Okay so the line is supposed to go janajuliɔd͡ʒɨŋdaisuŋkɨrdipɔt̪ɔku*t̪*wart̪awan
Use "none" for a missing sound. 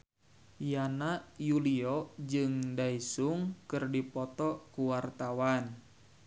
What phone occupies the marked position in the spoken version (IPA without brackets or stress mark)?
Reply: none